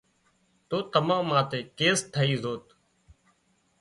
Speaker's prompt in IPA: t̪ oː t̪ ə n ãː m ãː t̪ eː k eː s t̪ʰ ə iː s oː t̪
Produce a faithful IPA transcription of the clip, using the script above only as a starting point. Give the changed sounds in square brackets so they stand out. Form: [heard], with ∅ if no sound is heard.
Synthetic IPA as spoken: t̪ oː t̪ ə [m] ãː m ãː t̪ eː k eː s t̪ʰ ə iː [z] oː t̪